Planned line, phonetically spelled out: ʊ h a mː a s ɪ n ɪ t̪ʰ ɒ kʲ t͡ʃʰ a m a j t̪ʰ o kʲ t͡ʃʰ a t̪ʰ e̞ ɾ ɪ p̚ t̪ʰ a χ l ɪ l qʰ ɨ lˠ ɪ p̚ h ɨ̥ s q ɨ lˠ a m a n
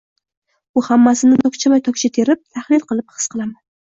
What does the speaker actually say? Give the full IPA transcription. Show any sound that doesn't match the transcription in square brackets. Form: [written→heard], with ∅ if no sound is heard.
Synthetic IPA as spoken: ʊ h a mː a s ɪ n ɪ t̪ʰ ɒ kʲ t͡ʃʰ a m a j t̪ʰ [o→ɒ] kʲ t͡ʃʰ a t̪ʰ e̞ ɾ ɪ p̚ t̪ʰ a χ l ɪ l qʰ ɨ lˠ ɪ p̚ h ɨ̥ s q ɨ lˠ a m a n